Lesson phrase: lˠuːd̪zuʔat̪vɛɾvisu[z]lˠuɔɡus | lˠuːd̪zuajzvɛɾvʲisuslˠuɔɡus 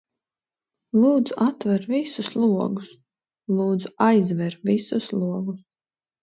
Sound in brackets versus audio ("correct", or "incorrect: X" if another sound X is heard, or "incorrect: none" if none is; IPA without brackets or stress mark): incorrect: s